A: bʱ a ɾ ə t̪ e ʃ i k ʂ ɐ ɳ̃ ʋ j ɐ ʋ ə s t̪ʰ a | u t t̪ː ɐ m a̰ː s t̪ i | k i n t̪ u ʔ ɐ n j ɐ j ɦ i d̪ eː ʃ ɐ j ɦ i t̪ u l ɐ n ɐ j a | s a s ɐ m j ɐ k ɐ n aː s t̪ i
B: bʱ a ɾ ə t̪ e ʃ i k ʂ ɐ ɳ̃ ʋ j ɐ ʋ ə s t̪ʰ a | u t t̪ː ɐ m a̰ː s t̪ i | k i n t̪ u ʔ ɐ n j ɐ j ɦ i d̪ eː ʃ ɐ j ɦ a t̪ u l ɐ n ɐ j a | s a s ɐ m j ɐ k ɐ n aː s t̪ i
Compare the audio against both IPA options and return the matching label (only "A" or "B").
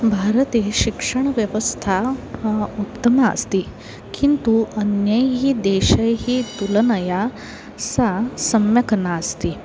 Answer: A